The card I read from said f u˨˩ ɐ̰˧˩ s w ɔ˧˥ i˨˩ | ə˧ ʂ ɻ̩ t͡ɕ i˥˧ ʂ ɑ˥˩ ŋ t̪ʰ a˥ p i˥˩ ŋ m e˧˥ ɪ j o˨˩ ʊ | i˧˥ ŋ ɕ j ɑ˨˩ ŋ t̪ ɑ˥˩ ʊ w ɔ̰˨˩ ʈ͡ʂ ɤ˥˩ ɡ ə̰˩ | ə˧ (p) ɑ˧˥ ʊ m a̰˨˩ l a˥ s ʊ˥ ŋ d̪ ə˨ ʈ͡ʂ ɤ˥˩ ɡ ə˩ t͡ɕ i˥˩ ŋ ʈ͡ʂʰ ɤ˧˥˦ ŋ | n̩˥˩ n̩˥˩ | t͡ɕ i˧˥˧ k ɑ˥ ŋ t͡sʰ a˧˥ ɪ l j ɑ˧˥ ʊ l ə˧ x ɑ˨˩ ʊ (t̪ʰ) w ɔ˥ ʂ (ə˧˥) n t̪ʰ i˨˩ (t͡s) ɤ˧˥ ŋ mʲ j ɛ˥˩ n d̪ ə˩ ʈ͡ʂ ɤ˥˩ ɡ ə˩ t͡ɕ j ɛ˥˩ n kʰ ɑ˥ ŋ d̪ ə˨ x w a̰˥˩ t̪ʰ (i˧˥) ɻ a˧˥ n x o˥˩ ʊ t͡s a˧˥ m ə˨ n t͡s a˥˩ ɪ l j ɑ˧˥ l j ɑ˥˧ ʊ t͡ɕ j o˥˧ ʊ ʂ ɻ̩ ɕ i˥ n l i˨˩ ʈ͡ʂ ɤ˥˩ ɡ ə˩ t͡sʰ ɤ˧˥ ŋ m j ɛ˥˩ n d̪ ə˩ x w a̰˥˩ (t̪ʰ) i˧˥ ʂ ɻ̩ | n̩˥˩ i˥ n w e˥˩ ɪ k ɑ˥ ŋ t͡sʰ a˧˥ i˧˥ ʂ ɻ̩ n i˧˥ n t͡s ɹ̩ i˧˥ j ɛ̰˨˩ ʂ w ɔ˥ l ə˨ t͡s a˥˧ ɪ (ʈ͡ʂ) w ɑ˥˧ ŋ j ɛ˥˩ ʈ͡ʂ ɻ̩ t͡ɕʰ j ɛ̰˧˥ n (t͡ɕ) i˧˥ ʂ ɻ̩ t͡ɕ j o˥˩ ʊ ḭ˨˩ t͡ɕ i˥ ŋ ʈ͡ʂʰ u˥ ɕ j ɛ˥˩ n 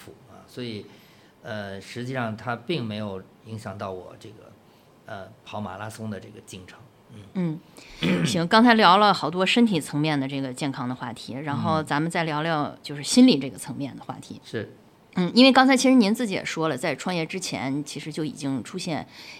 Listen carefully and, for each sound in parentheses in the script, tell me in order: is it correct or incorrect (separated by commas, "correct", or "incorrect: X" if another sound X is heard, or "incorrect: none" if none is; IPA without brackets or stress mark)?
incorrect: pʰ, incorrect: t̪, incorrect: ə˥, incorrect: t͡sʰ, correct, correct, incorrect: ʈ͡ʂʰ, incorrect: t͡ɕʰ